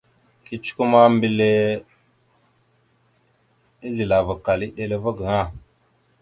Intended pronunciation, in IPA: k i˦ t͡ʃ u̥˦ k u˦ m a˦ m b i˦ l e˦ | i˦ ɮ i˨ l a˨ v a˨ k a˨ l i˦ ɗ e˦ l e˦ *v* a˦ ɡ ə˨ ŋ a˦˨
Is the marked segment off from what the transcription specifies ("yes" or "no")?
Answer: no